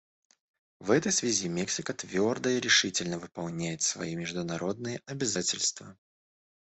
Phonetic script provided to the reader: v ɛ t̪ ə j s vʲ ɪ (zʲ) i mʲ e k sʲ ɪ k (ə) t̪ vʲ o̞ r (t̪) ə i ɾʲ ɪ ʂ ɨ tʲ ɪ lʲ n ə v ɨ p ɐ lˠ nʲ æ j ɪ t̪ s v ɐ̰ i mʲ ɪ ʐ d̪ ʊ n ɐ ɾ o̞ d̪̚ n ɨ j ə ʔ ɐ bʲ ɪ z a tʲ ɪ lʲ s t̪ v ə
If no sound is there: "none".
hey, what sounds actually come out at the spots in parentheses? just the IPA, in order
zʲ, ə, d̪

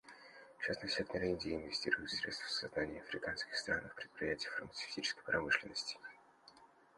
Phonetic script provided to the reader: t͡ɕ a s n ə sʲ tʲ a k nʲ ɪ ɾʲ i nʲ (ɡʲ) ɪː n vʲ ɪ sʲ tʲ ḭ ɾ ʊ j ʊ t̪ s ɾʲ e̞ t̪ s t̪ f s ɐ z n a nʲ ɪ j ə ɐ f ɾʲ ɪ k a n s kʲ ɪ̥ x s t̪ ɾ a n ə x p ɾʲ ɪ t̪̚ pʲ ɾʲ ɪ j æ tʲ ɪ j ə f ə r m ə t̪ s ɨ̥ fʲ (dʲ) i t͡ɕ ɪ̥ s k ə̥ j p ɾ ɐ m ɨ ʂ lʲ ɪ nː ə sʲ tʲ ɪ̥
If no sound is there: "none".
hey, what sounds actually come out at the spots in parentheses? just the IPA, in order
dʲ, tʲ

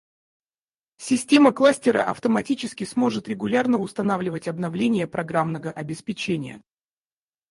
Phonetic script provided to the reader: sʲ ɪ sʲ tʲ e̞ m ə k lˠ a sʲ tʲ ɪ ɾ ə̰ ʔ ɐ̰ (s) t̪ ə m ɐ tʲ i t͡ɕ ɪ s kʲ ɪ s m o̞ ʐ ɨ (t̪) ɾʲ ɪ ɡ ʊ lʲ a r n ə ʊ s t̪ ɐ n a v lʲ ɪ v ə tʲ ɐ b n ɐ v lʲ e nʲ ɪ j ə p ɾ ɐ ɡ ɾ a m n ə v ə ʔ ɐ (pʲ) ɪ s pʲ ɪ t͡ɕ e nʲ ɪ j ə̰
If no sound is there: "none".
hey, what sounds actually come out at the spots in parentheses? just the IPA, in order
f, t̪, bʲ

